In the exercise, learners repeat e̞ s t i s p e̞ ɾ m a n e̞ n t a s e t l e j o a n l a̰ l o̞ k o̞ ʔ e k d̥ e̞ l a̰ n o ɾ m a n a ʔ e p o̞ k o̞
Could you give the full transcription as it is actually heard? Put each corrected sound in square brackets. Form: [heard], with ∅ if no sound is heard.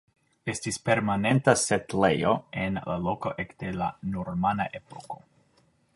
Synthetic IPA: e̞ s t i s p e̞ ɾ m a n e̞ n t a s e t l e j o [e] n l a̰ l o̞ k o̞ ʔ e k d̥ e̞ l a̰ n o ɾ m a n a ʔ e p o̞ k o̞